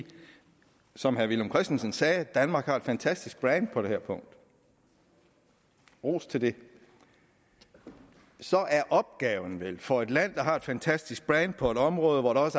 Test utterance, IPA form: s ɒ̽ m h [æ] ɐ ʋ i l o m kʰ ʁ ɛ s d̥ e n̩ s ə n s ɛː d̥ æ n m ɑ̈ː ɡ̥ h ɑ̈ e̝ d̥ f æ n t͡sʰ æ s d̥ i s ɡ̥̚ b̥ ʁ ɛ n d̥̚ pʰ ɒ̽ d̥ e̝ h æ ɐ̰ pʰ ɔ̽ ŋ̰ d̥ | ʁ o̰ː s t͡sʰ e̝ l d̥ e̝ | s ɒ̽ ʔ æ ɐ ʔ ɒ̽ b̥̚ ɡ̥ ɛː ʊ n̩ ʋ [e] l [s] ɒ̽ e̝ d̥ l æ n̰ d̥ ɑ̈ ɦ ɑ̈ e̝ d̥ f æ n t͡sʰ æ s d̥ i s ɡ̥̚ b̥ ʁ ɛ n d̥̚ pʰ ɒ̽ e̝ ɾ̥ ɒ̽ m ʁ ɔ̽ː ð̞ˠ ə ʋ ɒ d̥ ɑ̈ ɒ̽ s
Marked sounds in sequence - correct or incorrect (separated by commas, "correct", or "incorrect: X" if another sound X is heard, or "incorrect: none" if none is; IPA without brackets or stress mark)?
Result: correct, correct, incorrect: f